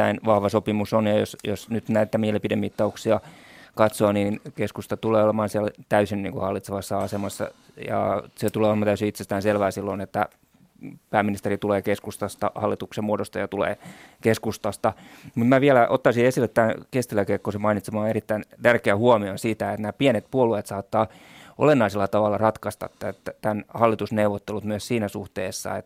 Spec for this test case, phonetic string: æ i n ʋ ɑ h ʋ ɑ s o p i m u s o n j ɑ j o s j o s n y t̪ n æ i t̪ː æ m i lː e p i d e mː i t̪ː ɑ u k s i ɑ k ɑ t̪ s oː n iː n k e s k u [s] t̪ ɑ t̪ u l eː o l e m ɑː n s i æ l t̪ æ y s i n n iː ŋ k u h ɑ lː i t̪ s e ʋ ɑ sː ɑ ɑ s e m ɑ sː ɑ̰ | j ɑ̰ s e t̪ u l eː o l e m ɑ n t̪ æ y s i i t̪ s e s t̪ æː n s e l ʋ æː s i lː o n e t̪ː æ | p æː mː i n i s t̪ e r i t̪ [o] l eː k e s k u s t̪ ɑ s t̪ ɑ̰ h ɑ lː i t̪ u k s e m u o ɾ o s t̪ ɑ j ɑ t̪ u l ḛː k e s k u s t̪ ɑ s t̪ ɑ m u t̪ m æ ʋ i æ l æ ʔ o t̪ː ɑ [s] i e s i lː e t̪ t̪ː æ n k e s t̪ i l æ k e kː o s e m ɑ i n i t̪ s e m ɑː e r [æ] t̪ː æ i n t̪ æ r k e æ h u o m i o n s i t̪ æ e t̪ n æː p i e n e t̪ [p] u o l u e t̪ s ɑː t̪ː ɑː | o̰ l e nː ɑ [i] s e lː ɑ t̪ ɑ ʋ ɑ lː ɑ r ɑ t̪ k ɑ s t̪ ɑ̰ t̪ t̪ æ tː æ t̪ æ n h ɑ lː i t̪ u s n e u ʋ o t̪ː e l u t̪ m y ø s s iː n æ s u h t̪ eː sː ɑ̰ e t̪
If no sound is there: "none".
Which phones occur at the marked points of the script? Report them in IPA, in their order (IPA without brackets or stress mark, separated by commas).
s, u, s, i, p, i